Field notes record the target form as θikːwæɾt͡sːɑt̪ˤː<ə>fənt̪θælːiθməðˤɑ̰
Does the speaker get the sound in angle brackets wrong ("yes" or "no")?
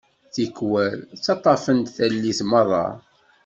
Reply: yes